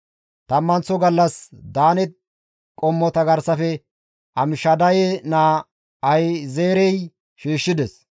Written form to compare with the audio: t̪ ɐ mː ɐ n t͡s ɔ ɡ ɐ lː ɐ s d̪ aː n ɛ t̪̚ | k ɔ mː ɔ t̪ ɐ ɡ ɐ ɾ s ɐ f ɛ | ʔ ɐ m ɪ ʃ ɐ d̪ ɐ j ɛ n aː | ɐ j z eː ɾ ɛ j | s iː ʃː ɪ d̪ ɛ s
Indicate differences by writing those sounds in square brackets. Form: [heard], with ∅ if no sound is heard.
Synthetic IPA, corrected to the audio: t̪ ɐ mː ɐ n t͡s ɔ ɡ ɐ lː ɐ s d̪ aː n ɛ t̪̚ | [kʼ] ɔ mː ɔ t̪ ɐ ɡ ɐ ɾ s ɐ f ɛ | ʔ ɐ m ɪ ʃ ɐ d̪ ɐ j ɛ n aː | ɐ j z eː ɾ ɛ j | [ʃ] iː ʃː ɪ d̪ ɛ s